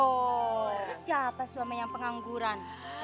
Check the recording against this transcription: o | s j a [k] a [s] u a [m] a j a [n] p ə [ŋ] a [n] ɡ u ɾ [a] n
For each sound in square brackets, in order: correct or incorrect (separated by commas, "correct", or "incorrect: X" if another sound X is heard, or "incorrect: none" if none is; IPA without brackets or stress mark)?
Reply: incorrect: p, correct, correct, incorrect: ŋ, correct, incorrect: ŋ, correct